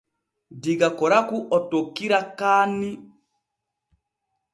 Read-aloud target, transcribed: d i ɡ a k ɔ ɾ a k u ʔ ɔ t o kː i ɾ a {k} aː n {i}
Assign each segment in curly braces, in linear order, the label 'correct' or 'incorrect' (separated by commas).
correct, correct